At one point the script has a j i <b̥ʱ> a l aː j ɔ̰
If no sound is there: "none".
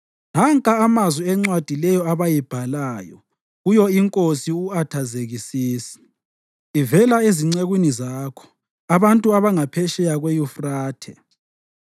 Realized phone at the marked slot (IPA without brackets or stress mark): b̥ʱ